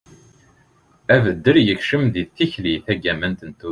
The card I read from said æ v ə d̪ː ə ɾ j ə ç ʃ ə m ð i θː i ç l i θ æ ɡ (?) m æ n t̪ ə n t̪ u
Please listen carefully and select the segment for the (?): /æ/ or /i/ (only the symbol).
æ